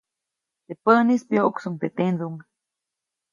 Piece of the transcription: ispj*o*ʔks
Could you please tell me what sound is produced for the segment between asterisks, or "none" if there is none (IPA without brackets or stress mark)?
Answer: o